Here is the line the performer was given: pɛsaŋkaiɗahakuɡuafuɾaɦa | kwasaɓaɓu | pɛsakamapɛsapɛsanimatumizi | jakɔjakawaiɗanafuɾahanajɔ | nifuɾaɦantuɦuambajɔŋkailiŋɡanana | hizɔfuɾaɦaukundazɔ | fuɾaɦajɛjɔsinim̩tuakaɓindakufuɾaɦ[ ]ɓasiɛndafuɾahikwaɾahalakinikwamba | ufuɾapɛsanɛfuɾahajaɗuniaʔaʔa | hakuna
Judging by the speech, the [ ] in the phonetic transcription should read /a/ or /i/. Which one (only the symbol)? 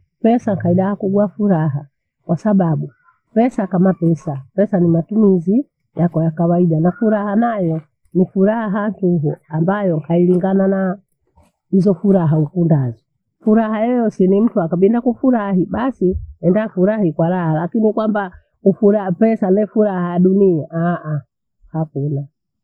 i